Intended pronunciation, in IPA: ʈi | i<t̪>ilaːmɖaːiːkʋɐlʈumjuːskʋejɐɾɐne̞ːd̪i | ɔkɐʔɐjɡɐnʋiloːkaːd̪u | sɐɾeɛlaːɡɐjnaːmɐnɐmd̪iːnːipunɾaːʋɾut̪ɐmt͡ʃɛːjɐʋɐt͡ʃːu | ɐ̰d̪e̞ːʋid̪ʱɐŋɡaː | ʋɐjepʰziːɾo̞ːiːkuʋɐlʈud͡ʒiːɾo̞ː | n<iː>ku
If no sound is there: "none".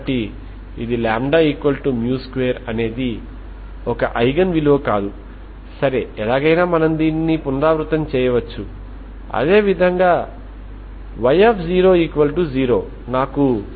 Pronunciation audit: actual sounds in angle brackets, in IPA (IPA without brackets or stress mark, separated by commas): d̪, aː